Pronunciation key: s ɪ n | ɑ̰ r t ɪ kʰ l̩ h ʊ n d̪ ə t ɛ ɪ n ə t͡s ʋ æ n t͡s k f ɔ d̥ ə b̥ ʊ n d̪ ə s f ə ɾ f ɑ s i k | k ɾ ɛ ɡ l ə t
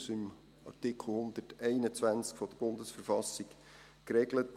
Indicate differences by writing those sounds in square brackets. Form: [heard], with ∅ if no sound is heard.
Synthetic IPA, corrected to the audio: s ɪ [m] | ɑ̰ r t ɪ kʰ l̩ h ʊ n d̪ ə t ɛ ɪ n ə t͡s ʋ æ n t͡s k f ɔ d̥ ə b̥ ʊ n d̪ ə s f ə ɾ f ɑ s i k | k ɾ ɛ ɡ l ə t

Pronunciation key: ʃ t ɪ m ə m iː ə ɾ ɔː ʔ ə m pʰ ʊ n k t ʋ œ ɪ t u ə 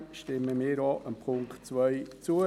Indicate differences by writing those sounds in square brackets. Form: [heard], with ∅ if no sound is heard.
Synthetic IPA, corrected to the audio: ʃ t ɪ m ə m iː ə ɾ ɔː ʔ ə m pʰ ʊ [ŋ] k [t͡s] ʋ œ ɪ [t͡s] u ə

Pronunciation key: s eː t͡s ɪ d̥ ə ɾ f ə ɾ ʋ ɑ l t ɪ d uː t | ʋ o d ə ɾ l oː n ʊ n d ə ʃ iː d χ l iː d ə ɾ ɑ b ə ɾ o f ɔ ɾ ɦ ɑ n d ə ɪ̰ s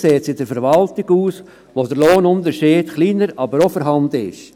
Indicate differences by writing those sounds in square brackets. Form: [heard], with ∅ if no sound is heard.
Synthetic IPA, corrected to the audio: s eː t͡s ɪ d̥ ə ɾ f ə ɾ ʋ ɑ l t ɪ [ɡ] uː [s] | ʋ o d ə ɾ l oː n ʊ n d ə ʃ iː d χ l iː [n] ə ɾ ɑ b ə ɾ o f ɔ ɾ ɦ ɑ n d ə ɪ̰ [ʃ]

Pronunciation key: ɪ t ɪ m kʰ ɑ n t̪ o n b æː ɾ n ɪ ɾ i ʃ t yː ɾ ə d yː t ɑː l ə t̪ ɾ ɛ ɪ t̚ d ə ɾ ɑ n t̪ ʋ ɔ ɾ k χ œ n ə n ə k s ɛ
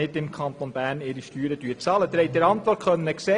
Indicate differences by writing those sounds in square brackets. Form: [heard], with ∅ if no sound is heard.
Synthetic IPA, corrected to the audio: ɪ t ɪ m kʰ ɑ n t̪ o n b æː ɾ n ɪ ɾ i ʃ t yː ɾ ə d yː [t͡s] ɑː l ə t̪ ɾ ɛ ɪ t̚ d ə ɾ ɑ n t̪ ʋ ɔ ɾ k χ œ n ə n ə k s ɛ

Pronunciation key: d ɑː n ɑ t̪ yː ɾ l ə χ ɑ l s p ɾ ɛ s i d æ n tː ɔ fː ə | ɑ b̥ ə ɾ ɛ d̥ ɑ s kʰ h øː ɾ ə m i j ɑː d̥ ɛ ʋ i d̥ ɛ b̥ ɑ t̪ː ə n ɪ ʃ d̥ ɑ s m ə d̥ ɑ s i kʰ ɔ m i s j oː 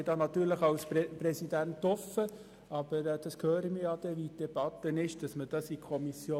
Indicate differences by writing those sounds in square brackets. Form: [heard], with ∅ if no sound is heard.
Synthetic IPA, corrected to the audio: d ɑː n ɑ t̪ yː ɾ l ə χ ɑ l s p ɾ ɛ s i d æ n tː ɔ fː ə | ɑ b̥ ə ɾ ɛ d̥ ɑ s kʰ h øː ɾ ə m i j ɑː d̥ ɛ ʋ i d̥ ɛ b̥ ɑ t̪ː ə n ɪ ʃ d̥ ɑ s m ə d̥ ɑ s i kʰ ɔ m i s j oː

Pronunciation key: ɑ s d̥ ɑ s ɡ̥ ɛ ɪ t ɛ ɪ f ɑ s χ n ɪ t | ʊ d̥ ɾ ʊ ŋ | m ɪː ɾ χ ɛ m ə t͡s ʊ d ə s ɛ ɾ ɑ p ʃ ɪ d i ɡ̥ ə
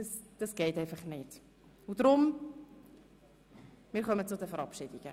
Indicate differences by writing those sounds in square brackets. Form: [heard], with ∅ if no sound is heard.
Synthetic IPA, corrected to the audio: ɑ s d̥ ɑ s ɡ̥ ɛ ɪ t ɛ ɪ f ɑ [∅] χ n ɪ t | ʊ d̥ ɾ ʊ [m] | m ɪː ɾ χ [œ] m ə t͡s ʊ d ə [f] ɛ ɾ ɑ p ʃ ɪ d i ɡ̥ ə

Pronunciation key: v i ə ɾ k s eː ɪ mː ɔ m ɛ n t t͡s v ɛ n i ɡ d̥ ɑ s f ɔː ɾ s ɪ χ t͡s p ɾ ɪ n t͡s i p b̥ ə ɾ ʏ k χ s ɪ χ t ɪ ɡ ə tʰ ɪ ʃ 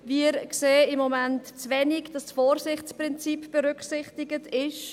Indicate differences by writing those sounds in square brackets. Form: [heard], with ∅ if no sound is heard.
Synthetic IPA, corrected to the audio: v i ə ɾ k s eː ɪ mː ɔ m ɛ n t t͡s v ɛ n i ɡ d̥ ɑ s f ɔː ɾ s ɪ χ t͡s p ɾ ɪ n t͡s i p b̥ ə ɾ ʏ k χ s ɪ χ t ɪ ɡ ə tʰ ɪ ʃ

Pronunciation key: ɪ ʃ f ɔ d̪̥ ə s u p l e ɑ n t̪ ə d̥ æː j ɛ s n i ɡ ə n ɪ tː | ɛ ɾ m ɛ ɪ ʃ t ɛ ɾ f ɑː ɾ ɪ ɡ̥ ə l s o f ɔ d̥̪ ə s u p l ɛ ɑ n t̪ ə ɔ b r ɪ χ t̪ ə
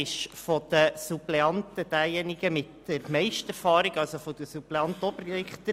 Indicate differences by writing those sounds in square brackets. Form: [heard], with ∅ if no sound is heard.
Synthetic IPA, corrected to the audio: ɪ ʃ f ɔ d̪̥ ə s u p l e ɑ n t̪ ə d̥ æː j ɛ [∅] n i ɡ ə [m] ɪ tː | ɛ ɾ m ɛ ɪ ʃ t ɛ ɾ f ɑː ɾ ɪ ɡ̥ [ɑ] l s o f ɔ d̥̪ ə s u p l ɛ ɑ n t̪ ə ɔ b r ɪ χ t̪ ə

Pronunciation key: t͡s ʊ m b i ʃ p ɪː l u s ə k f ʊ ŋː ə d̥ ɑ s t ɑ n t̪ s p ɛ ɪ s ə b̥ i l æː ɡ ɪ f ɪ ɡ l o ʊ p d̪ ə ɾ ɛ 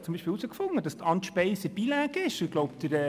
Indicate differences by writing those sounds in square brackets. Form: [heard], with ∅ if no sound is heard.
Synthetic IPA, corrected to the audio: t͡s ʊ m b i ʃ p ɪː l u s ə k f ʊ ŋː ə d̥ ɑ s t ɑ n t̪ [ʃ] p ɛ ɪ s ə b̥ i l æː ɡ ɪ [ʃ] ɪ ɡ l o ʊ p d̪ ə ɾ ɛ

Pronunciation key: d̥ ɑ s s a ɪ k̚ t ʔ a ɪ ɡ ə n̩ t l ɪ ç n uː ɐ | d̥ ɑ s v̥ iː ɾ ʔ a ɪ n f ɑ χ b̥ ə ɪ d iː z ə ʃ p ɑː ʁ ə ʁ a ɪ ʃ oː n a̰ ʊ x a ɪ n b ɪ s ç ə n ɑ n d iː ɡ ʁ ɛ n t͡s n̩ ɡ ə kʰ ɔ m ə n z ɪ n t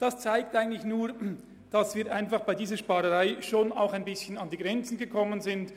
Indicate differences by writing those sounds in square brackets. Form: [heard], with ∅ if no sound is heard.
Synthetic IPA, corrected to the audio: d̥ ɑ s [t͡s] a ɪ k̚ t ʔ a ɪ ɡ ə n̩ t l ɪ ç n uː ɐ | d̥ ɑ s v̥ iː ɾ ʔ a ɪ n f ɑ χ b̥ [a] ɪ d iː z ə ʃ p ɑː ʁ ə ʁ a ɪ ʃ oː n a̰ ʊ x a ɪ n b ɪ s ç ə n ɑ n d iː ɡ ʁ ɛ n t͡s n̩ ɡ ə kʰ ɔ m ə n z ɪ n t

